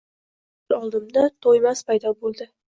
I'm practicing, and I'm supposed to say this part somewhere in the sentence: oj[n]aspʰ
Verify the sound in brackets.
incorrect: m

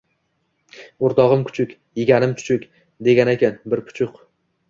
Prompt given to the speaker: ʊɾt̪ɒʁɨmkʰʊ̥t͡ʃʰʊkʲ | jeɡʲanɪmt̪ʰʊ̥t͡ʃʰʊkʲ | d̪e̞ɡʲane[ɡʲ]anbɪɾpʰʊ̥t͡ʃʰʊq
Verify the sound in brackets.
incorrect: kʲ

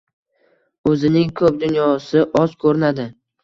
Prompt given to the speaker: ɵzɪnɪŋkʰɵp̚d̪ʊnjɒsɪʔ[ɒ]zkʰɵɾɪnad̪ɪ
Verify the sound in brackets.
correct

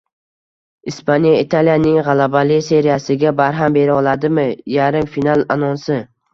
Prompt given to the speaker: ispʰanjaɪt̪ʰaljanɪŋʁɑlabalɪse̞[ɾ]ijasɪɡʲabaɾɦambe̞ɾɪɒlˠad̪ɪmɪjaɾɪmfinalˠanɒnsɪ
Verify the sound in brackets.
correct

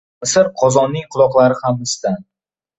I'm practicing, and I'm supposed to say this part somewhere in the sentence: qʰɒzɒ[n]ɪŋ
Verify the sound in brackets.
incorrect: nː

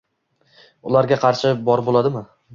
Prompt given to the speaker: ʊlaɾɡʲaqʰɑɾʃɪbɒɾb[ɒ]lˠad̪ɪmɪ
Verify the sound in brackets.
incorrect: o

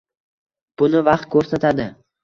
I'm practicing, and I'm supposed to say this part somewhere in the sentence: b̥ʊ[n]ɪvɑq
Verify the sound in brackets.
correct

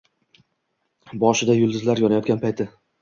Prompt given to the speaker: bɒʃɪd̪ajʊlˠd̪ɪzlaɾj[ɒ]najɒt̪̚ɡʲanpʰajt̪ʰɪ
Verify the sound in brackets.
correct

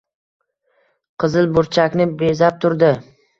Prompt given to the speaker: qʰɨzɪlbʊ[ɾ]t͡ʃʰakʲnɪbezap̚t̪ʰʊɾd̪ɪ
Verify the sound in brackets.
correct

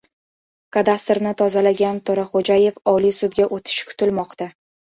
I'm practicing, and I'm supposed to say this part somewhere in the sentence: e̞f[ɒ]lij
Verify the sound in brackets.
correct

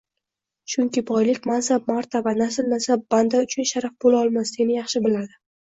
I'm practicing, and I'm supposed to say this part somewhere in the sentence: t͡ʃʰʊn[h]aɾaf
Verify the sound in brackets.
incorrect: ʃ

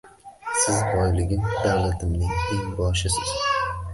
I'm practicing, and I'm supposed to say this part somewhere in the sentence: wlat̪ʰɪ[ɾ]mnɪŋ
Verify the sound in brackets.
incorrect: none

